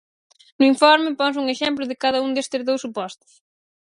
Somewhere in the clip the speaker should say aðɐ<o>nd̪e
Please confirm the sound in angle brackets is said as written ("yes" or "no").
no